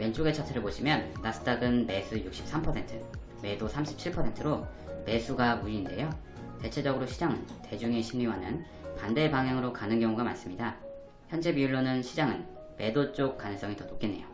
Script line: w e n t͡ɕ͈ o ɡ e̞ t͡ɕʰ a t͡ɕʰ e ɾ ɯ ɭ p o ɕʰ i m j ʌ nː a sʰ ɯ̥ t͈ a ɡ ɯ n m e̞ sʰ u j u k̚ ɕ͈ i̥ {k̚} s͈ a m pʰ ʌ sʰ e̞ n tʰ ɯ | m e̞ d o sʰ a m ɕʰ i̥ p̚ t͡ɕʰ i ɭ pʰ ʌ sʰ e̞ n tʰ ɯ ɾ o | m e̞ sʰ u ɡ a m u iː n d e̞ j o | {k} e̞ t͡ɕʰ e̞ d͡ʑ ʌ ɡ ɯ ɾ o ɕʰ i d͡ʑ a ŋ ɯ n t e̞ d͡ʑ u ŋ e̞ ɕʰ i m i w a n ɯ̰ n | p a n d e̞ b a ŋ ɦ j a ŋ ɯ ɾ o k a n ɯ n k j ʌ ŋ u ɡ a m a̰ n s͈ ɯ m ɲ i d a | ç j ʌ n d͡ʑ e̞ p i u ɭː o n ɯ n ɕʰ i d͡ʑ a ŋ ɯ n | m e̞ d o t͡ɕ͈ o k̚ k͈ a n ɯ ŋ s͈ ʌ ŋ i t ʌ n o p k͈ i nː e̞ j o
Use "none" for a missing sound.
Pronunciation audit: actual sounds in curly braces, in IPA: p̚, t

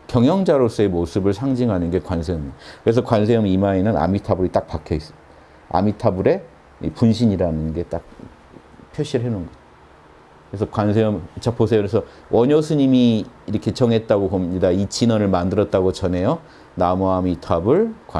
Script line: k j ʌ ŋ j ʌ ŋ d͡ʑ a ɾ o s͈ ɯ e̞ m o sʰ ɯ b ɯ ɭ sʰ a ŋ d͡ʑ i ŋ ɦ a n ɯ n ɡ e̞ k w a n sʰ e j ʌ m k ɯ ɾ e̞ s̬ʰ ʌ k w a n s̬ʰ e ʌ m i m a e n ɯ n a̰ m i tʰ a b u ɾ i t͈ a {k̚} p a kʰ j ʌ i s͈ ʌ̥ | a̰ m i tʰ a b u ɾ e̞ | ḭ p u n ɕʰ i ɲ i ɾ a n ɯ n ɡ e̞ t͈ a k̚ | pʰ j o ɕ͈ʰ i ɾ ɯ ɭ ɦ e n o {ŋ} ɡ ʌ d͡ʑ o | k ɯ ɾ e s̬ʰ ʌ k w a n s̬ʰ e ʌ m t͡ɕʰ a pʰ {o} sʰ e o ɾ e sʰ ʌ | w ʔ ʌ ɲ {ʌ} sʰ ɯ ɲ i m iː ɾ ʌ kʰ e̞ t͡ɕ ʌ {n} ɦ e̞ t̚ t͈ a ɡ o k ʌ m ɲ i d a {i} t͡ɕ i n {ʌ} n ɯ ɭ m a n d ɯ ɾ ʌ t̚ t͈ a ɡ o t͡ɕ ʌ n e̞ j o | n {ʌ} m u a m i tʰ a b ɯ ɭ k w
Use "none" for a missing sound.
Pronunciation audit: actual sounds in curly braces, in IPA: k̚, n, o, ʌ, ŋ, i, ʌ, a

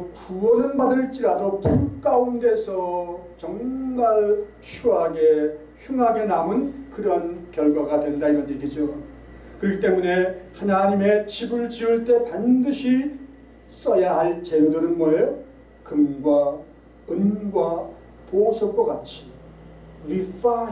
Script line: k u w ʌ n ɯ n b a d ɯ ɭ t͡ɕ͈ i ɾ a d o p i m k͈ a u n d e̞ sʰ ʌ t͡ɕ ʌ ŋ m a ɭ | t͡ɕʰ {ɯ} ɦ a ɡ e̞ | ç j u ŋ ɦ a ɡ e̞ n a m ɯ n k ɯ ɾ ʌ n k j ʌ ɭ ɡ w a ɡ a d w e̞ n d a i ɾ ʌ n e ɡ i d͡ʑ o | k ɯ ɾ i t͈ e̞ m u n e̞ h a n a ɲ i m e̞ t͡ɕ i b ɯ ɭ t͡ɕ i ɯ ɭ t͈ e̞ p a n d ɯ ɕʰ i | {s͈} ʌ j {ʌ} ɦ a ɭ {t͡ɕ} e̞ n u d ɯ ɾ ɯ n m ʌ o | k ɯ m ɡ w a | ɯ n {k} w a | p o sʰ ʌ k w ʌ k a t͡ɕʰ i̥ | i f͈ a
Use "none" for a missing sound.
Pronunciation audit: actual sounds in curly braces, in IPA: u, s͈, a, t͡ɕ, ɡ

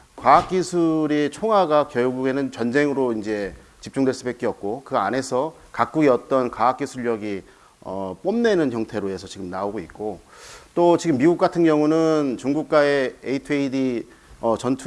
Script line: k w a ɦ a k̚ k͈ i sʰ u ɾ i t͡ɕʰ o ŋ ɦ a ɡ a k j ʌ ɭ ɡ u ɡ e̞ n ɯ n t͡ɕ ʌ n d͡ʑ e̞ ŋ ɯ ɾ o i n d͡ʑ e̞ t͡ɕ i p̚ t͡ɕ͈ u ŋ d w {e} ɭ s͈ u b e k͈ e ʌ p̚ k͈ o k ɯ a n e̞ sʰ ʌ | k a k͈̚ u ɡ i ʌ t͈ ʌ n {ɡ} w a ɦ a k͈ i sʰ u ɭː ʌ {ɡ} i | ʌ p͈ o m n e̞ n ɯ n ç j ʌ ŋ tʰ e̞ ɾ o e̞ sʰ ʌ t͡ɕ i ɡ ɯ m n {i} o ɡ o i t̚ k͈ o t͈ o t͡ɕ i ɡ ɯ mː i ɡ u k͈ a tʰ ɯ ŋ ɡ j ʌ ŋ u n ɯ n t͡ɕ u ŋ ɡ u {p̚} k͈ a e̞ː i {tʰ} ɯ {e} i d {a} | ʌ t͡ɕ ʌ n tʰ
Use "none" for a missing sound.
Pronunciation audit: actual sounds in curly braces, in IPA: e, k, ɡ, a, k̚, tʰ, e, i

